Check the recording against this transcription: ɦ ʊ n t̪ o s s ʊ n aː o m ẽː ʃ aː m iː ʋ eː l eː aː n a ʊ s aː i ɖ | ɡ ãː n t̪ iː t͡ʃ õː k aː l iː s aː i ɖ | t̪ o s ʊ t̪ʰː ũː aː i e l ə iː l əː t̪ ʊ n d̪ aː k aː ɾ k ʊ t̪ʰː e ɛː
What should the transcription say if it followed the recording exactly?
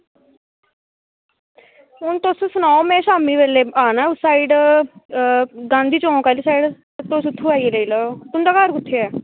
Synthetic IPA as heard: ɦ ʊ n t̪ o s s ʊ n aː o m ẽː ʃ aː m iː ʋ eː l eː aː n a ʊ s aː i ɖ | ɡ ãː n d̪ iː t͡ʃ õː k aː l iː s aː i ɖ | t̪ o s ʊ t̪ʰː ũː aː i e l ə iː l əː t̪ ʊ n d̪ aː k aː ɾ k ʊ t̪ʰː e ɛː